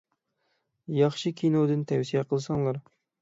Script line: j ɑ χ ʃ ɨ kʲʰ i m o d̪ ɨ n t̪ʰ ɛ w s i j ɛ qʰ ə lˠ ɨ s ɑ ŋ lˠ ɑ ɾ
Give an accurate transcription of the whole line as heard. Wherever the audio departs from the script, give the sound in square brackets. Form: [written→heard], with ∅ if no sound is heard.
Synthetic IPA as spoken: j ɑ χ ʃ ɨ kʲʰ i [m→n] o d̪ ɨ n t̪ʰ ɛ w s i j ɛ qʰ ə lˠ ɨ s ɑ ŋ lˠ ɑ ɾ